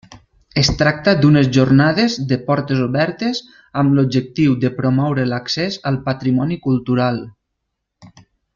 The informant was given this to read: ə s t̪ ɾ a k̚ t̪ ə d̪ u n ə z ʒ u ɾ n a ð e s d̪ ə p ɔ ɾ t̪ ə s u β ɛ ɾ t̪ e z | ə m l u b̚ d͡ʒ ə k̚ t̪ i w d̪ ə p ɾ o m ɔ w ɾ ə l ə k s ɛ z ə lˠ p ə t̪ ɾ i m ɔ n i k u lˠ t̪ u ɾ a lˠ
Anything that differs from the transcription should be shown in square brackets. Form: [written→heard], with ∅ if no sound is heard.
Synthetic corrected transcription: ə s t̪ ɾ a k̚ t̪ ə d̪ u n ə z ʒ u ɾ n a ð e [s→z] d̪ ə p ɔ ɾ t̪ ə [s→z] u β ɛ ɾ t̪ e z | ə m l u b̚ d͡ʒ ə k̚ t̪ i w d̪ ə p ɾ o m ɔ w ɾ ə l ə k s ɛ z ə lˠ p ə t̪ ɾ i m ɔ n i k u lˠ t̪ u ɾ a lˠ

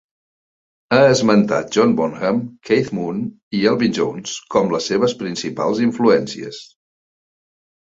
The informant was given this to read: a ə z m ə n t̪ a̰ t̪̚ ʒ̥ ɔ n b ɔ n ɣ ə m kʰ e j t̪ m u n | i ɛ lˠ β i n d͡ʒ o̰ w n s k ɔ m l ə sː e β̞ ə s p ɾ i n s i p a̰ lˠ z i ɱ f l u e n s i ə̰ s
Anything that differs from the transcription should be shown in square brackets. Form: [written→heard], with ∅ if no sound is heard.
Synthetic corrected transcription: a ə z m ə n t̪ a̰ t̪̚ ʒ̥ ɔ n b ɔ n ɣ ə m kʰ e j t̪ m u n | i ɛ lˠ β i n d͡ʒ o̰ w n s k ɔ m l ə sː e β̞ ə s p ɾ i n s i p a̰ lˠ z i ɱ f l u [e→ɛ] n s i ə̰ s

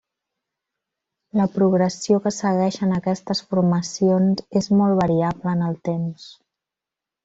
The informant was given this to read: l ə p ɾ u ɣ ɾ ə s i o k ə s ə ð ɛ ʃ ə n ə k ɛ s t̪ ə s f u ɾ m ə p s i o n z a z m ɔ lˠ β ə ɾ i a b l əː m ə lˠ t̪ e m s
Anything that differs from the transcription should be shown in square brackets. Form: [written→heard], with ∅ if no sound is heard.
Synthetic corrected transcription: l ə p ɾ u ɣ ɾ ə s i o k ə s ə [ð→ɣ] ɛ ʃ ə n ə k ɛ s t̪ ə s f u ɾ m ə [p→∅] s i o n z [a→e] z m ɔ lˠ β ə ɾ i a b l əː [m→n] ə lˠ t̪ e m s

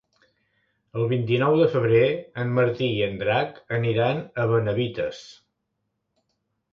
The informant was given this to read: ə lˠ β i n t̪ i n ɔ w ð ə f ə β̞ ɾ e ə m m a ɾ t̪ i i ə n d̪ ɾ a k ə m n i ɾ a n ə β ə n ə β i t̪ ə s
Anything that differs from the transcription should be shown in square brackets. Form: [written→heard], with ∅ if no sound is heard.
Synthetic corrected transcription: ə lˠ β i n t̪ i n ɔ w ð ə f ə β̞ ɾ e ə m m [a→ə] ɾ t̪ i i ə n d̪ ɾ a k ə [m→∅] n i ɾ a n ə β ə n ə β i t̪ ə s

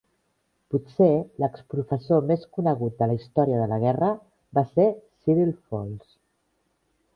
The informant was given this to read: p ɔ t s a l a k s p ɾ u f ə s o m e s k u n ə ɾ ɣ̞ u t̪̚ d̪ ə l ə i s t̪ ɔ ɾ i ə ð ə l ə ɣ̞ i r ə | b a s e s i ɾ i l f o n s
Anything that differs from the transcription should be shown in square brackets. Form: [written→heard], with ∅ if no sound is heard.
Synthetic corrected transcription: p [ɔ→u] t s [a→e] l [a→ə] k s p ɾ u f ə s o m e s k u n ə [ɾ→∅] ɣ̞ u t̪̚ d̪ ə l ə i s t̪ ɔ ɾ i ə ð ə l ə ɣ̞ [i→ɛ] r ə | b a s e s i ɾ i l f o n s

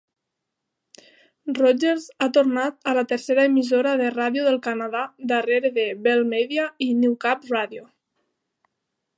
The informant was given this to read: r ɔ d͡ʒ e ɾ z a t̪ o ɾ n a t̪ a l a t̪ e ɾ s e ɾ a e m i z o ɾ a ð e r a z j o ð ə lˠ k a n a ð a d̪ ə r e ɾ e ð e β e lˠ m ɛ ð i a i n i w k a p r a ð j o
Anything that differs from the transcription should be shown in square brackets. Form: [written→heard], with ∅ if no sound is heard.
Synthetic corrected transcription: r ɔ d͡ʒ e ɾ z a t̪ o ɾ n a t̪ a l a t̪ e ɾ s e ɾ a e m i z o ɾ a ð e r a [z→ð] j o ð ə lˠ k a n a ð a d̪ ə r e ɾ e ð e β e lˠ m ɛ ð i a i n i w k a p r a ð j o

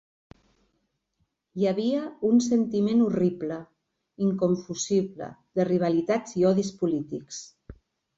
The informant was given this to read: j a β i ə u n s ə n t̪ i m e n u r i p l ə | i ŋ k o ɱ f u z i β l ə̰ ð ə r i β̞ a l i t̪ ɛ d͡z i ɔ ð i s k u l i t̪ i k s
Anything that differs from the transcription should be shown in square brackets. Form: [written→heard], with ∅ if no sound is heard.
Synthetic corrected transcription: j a β i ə u n s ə n t̪ i m e n u r i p l ə | i ŋ k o ɱ f u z i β l ə̰ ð ə r i β̞ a l i t̪ [ɛ→a] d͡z i ɔ ð i s [k→p] u l i t̪ i k s

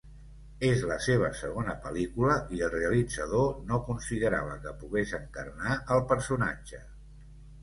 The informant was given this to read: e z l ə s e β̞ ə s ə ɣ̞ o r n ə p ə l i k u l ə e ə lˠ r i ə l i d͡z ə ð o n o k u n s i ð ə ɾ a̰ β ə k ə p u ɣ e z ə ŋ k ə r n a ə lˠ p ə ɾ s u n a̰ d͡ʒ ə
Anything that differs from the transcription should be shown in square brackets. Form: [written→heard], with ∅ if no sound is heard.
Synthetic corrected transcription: e z l ə s e β̞ ə s ə ɣ̞ o [r→∅] n ə p ə l i k u l ə [e→i] ə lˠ r [i→e] ə l i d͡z ə ð o n o k u n s i ð ə ɾ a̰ β ə k ə p u ɣ e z ə ŋ k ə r n a ə lˠ p ə ɾ s u n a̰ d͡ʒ ə

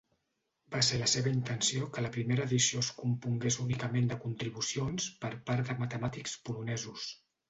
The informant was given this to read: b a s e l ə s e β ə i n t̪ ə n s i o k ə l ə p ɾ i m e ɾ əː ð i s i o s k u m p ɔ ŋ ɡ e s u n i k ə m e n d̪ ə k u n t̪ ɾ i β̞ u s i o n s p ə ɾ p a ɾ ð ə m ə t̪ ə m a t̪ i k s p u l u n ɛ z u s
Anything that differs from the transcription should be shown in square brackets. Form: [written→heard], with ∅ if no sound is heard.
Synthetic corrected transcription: b a s e l ə s e β ə i n t̪ ə n s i o k ə l ə p ɾ i m e ɾ əː ð i s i o s k u m p [ɔ→u] ŋ ɡ e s u n i k ə m e n d̪ ə k u n t̪ ɾ i β̞ u s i o n s p ə ɾ p a ɾ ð ə m ə t̪ ə m a t̪ i k s p u l u n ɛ z u s

